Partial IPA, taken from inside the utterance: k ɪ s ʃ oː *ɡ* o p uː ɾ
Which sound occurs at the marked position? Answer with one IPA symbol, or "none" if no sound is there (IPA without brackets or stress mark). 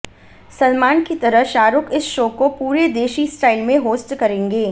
k